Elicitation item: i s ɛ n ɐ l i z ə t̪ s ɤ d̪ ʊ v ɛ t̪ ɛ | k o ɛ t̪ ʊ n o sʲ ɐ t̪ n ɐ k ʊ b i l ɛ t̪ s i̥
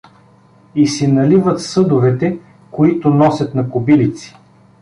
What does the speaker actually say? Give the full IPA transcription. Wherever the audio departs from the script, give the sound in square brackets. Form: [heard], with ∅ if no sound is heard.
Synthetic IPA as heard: i s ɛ n ɐ l i [v] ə t̪ s ɤ d̪ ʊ v ɛ t̪ ɛ | k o [i] t̪ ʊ n [ɔ] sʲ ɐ t̪ n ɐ k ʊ b i l [i] t̪ s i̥